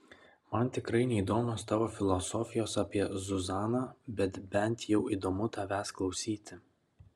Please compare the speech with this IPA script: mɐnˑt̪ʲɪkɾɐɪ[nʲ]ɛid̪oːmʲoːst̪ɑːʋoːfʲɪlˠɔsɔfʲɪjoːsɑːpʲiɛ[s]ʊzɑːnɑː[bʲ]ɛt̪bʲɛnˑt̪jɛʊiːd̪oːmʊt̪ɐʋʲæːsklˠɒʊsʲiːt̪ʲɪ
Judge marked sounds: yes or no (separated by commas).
yes, no, yes